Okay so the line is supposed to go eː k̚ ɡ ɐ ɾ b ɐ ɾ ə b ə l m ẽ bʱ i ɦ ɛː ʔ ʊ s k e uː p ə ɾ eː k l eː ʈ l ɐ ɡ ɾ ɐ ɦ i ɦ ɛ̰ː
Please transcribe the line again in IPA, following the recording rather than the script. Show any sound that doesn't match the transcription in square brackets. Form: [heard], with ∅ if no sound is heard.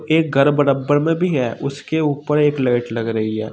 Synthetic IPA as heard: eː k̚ ɡ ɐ ɾ b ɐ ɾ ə b ə [ɾ] m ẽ bʱ i ɦ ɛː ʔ ʊ s k e uː p ə ɾ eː k l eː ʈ l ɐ ɡ ɾ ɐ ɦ i ɦ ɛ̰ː